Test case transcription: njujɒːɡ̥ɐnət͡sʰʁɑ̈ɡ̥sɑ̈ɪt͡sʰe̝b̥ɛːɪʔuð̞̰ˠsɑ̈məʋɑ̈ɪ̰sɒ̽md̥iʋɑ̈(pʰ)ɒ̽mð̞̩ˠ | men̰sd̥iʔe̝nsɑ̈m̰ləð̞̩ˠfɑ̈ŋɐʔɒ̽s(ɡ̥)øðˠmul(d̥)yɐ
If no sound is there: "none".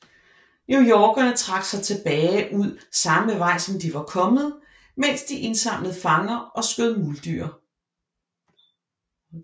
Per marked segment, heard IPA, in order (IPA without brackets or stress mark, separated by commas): kʰ, ɡ̥, d̥